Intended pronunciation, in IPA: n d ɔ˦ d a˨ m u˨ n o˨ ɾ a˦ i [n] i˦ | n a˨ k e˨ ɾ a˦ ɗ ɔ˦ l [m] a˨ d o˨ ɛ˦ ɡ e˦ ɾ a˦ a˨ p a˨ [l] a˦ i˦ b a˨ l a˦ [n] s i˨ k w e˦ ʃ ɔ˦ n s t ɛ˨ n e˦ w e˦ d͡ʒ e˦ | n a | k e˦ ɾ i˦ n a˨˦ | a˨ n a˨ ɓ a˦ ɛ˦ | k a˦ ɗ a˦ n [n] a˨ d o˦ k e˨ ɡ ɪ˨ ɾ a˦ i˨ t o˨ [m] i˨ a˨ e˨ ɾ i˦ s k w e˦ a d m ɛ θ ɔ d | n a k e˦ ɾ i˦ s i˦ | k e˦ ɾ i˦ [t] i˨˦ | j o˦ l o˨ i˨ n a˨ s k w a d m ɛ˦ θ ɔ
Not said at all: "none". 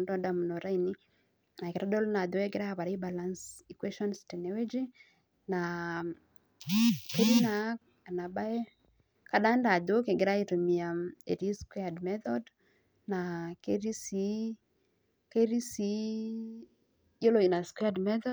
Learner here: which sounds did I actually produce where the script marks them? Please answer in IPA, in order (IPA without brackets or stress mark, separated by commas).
n, n, ɾ, n, d, m, s